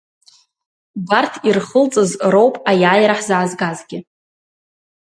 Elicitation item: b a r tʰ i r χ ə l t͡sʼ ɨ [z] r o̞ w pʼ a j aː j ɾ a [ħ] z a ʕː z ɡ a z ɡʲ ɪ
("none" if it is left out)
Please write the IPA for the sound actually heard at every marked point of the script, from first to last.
z, ħ

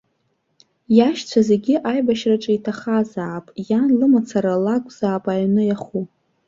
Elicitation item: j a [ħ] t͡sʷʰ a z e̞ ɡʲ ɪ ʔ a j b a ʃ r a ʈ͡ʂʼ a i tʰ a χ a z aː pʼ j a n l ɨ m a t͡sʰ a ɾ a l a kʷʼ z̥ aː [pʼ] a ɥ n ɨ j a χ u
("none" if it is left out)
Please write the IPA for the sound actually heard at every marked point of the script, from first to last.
ʃ, pʼ

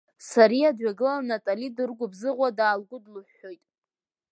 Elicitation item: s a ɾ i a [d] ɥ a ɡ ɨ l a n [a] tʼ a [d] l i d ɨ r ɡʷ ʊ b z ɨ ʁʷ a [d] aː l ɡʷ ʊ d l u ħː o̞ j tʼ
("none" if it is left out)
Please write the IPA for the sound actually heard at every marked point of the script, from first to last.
d, a, none, d

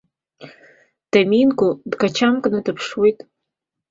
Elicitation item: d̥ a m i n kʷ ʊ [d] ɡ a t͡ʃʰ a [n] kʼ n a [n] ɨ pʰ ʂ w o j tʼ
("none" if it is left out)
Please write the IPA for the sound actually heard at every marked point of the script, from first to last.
d, m, d

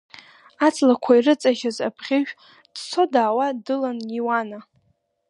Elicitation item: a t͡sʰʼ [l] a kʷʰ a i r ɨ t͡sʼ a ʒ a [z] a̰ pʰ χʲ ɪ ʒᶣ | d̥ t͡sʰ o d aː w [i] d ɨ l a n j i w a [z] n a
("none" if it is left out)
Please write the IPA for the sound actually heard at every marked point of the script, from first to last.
l, z, a, none

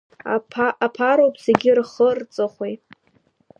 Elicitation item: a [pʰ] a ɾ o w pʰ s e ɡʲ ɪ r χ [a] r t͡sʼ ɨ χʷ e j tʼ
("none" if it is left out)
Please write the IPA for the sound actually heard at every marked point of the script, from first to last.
pʰ, ə

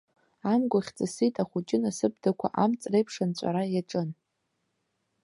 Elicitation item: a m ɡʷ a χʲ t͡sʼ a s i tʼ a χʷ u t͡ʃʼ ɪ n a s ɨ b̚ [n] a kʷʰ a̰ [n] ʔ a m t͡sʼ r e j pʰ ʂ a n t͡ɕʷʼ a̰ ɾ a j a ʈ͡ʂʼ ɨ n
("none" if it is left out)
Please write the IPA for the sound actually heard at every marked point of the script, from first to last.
d, none

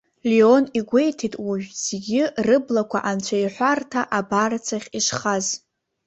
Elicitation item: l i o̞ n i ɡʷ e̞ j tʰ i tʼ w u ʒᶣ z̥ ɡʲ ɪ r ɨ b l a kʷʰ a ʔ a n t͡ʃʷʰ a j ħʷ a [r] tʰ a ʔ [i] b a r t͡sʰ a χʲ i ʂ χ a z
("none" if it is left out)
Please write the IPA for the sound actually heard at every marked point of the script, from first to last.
r, a

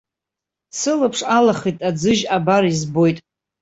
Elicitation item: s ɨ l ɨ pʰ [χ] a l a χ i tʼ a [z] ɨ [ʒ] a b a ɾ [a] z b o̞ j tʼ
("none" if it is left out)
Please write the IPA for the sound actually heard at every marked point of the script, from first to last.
ʂ, d͡z, ʒ, i

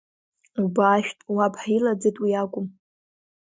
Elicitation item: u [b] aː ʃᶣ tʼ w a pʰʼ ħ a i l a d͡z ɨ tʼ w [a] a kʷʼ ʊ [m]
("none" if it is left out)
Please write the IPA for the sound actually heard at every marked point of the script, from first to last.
b, i, m

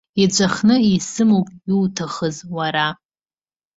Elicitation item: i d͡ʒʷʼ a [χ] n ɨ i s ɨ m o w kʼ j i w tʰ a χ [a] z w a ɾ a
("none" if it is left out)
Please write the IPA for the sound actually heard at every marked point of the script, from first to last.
χ, ə

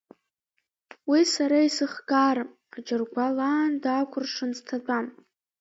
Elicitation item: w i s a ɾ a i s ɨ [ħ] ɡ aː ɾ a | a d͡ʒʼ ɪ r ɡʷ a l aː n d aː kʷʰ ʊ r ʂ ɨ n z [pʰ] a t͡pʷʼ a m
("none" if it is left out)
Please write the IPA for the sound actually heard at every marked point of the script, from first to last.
χ, tʰ

